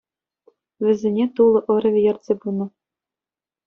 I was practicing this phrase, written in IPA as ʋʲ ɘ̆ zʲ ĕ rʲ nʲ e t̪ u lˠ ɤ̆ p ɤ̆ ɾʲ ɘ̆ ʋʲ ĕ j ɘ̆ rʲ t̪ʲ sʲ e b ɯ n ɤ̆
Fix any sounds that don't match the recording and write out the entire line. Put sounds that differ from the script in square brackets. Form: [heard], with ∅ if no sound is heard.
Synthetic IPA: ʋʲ ɘ̆ zʲ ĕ [∅] nʲ e t̪ u lˠ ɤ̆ [ʔ] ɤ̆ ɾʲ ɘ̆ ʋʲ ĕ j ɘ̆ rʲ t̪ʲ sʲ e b [u] n ɤ̆